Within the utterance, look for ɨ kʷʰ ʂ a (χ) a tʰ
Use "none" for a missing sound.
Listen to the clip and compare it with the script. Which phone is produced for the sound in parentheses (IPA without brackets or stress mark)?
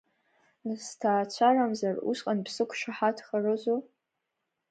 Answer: ħ